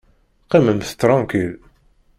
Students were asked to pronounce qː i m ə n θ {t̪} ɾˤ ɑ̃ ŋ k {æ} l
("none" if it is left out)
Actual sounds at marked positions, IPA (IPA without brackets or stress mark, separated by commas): t̪, i